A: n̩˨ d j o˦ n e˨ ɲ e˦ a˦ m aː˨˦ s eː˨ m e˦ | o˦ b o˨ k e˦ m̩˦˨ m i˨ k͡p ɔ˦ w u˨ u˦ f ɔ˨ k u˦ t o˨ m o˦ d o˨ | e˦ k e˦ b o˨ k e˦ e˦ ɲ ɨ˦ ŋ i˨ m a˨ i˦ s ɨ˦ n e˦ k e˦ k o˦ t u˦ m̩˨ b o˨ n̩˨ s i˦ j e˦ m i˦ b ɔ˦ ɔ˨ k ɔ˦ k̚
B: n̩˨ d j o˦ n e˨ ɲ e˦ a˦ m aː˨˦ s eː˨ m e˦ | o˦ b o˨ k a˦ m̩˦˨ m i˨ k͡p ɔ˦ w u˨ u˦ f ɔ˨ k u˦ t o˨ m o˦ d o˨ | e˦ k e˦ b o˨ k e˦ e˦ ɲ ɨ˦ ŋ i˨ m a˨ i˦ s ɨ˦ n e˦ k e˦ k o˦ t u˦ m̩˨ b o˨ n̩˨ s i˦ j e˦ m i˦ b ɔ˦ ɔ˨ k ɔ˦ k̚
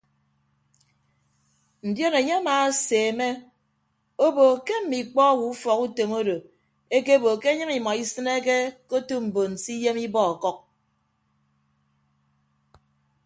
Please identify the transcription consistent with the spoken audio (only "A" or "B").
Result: A